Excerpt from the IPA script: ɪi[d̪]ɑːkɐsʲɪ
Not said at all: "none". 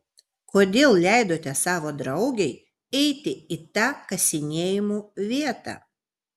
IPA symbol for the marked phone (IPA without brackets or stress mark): t̪